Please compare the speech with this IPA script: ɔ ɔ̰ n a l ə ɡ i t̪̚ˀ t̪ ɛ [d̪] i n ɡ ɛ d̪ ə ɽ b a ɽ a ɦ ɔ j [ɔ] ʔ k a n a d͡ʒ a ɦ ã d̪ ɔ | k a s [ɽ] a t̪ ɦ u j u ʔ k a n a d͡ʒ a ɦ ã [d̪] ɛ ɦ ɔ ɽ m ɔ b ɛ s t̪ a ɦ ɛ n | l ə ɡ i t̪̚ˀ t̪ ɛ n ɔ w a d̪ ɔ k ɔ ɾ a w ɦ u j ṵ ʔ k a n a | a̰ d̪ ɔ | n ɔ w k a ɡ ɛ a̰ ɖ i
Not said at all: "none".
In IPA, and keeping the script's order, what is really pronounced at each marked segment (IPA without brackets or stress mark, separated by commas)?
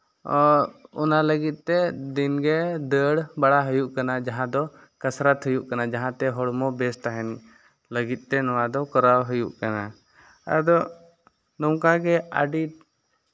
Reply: d̪, u, ɾ, t̪